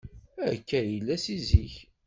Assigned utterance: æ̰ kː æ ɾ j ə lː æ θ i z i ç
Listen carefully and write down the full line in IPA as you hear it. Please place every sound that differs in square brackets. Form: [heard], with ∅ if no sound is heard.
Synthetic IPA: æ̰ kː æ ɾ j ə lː æ [s] i z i ç